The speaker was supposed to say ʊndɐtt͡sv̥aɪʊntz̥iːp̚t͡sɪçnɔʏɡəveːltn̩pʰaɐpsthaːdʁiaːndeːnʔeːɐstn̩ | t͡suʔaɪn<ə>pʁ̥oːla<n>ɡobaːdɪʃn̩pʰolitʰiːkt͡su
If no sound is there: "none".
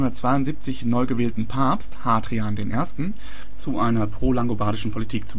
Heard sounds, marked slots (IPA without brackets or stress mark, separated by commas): ɐ, ŋ